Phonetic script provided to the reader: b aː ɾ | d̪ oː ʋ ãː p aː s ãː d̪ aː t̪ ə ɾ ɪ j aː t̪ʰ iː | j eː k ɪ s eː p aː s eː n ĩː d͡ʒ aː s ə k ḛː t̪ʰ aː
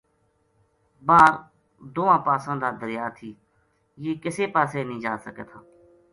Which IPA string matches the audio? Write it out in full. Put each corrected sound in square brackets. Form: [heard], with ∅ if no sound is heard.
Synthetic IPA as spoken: b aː ɾ | d̪ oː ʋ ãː p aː s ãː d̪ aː [d̪] ə ɾ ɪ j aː t̪ʰ iː | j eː k ɪ s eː p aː s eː n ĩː d͡ʒ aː s ə k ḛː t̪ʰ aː